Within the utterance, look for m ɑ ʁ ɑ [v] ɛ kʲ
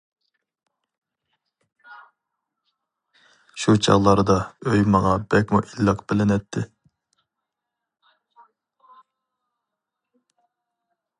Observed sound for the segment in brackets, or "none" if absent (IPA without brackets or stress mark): b